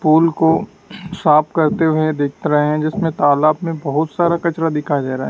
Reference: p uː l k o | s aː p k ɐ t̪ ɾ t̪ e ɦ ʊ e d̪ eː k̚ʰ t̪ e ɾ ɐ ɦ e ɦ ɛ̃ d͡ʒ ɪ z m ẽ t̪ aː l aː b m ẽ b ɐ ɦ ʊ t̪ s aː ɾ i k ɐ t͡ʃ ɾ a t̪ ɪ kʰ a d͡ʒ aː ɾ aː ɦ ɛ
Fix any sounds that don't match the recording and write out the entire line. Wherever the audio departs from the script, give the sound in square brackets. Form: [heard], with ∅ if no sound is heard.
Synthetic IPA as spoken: p uː l k o | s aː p k ɐ [∅] ɾ t̪ e ɦ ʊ e d̪ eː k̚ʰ t̪ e ɾ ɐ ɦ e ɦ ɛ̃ d͡ʒ ɪ [s] m ẽ t̪ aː l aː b m ẽ b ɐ ɦ ʊ t̪ s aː ɾ [a] k ɐ t͡ʃ ɾ a [d̪] ɪ kʰ a d͡ʒ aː ɾ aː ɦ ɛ